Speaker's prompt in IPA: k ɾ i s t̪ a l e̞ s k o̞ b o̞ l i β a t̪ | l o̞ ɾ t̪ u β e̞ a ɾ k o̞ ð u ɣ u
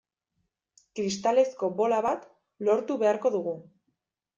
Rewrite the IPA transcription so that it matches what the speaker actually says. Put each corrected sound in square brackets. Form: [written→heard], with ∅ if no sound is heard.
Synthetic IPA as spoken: k ɾ i s t̪ a l e̞ s k o̞ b o̞ l [i→a] β a t̪ | l o̞ ɾ t̪ u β e̞ a ɾ k o̞ ð u ɣ u